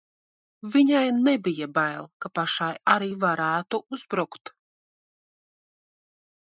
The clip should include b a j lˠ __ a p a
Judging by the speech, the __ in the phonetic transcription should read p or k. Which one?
k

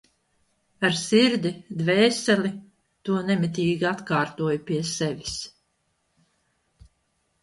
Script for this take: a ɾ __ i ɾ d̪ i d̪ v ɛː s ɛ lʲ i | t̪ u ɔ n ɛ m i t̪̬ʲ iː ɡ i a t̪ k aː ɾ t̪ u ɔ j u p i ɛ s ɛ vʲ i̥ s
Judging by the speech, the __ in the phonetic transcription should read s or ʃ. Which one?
s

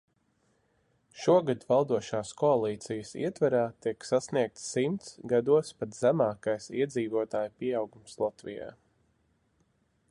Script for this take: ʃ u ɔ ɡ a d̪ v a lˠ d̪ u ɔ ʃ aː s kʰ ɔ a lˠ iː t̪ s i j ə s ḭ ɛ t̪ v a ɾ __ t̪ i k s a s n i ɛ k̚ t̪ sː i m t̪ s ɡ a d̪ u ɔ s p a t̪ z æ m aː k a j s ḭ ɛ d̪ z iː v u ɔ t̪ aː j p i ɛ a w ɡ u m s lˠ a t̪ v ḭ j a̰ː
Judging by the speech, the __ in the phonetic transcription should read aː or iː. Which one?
aː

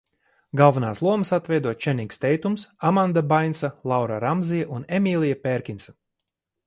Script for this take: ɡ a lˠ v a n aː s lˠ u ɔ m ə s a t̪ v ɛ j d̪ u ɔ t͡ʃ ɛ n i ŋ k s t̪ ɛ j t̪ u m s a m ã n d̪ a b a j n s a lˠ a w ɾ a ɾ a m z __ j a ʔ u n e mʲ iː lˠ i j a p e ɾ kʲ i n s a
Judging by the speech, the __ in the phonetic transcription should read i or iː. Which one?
i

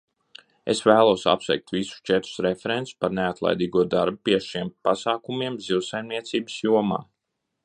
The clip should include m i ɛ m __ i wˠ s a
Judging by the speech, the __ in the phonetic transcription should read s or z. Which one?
z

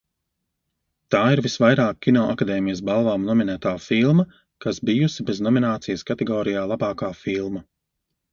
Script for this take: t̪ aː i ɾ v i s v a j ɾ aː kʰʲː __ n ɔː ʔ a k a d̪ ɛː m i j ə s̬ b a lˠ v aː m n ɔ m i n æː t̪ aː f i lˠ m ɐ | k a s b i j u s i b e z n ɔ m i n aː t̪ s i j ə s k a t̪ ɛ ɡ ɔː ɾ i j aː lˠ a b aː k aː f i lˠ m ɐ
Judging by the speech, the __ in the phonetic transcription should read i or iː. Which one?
i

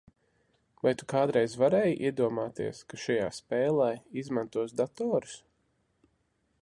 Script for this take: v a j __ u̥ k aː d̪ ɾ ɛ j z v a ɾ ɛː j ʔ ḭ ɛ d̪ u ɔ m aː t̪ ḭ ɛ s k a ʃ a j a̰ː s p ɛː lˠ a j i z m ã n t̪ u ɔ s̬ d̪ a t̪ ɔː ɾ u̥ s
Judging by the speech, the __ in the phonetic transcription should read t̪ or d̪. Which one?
t̪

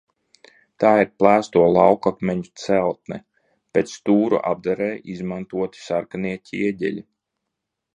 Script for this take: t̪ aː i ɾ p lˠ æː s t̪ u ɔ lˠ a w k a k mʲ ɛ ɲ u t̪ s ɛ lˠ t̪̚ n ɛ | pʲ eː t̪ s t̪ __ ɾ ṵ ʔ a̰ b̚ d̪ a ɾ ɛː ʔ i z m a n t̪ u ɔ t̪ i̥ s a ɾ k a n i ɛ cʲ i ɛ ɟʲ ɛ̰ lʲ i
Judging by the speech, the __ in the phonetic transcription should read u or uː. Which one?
uː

